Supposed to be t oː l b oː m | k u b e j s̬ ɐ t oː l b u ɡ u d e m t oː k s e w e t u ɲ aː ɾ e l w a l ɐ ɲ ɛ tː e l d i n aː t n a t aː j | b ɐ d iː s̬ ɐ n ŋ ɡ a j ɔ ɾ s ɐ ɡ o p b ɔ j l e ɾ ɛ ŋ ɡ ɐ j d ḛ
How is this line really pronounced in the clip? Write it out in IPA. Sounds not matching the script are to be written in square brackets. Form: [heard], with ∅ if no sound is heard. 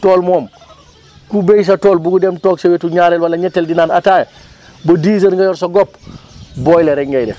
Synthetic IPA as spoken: t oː l [m] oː m | k u b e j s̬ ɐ t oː l b u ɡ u d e m t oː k s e w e t u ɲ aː ɾ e l w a l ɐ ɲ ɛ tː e l d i n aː [∅] n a t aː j | b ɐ d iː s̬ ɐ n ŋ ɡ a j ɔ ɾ s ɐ ɡ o p b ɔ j l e ɾ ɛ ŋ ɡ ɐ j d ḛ